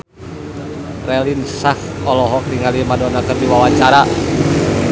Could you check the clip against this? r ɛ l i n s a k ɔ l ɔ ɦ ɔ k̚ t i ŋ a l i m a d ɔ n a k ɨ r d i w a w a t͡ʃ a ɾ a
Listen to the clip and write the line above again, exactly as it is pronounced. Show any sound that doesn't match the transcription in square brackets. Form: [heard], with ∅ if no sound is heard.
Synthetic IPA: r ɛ l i n s a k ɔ l ɔ ɦ ɔ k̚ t i ŋ a l i m a d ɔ n a k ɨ r d i w a w a t͡ʃ a ɾ a